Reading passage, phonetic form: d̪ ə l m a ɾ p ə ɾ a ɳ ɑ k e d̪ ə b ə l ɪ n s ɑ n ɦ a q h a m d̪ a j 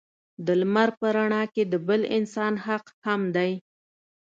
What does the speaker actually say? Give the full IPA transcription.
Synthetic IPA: d̪ ə l m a ɾ p ə ɾ a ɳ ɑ k e d̪ ə b ə l ɪ n s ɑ n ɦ a q h a m d̪ a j